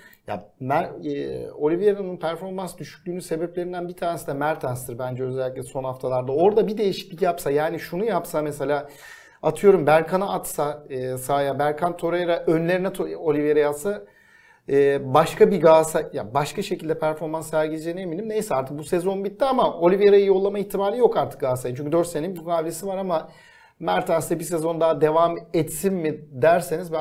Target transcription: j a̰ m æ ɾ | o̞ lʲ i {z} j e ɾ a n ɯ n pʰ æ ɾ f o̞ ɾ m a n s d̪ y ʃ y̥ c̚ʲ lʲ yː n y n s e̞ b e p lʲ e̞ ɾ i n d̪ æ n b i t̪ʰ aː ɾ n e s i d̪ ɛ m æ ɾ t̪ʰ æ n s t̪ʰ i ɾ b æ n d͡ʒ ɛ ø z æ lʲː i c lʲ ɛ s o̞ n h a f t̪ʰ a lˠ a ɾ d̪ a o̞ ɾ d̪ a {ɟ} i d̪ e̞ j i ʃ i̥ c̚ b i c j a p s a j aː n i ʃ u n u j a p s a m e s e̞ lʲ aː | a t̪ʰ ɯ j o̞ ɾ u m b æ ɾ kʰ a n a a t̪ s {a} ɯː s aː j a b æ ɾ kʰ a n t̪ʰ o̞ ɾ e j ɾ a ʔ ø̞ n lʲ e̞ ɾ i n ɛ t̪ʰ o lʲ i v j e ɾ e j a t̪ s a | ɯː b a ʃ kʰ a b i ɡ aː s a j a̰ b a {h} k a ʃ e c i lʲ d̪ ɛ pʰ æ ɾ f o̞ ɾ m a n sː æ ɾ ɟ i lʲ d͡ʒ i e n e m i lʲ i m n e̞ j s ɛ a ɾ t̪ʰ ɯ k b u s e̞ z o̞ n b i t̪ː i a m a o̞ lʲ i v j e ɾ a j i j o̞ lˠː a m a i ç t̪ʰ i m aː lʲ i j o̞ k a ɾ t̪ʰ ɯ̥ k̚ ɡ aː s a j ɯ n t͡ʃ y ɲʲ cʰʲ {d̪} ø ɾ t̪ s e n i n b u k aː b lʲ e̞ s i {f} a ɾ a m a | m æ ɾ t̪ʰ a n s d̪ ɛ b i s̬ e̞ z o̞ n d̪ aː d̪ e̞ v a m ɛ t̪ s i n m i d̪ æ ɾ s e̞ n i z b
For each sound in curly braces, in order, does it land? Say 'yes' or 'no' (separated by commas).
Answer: no, no, yes, no, yes, no